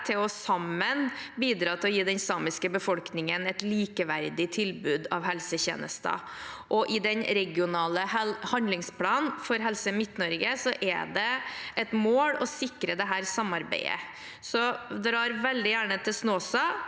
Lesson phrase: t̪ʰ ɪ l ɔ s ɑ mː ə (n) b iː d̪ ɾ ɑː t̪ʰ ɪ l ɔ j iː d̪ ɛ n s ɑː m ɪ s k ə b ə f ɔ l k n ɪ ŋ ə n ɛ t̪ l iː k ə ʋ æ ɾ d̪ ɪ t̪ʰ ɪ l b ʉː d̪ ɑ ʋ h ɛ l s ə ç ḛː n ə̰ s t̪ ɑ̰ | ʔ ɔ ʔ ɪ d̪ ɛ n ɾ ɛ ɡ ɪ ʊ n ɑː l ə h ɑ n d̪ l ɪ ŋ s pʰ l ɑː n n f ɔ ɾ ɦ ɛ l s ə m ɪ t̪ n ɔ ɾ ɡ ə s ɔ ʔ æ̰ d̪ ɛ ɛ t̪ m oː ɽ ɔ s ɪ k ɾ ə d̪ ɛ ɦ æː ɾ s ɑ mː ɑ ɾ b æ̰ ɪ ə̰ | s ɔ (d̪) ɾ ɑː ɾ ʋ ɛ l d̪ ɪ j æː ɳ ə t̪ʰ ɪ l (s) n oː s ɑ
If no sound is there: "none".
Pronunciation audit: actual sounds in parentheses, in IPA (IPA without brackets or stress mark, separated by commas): n, d̪, s